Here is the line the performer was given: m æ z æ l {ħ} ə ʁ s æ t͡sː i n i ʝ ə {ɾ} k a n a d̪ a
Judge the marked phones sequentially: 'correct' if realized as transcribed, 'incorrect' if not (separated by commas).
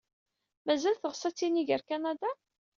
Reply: incorrect, correct